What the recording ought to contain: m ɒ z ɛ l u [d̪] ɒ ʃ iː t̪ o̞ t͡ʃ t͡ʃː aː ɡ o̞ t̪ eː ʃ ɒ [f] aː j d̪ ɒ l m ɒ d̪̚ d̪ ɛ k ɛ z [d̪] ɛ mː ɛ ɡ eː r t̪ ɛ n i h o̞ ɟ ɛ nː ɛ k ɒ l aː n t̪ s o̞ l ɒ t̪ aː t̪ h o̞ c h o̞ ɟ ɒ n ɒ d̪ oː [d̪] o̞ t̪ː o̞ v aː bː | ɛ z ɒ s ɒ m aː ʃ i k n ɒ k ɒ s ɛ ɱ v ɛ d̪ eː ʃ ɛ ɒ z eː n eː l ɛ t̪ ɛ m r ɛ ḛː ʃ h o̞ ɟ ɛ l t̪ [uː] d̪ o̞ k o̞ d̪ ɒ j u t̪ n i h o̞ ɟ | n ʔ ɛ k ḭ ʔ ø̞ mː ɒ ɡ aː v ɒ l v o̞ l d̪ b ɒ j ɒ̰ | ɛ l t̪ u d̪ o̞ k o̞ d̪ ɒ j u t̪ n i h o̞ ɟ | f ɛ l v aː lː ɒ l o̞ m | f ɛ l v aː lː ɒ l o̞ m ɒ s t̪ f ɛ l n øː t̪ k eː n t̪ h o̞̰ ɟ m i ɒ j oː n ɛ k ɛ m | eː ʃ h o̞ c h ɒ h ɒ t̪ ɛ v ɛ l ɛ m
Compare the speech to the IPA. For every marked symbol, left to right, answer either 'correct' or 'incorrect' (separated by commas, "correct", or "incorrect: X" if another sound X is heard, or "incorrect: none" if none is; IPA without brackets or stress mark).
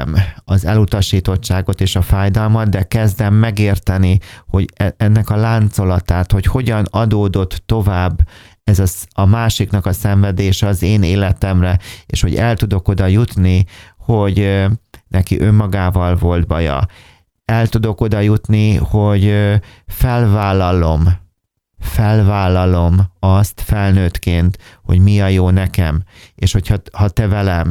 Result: incorrect: t̪, correct, correct, correct, incorrect: u